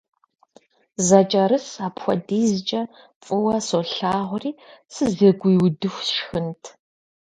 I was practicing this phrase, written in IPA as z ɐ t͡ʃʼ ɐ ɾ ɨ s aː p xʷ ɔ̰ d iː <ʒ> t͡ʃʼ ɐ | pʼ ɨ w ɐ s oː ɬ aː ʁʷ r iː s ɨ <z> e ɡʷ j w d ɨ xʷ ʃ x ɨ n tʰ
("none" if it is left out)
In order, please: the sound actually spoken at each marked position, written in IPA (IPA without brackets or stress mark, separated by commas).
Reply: z, z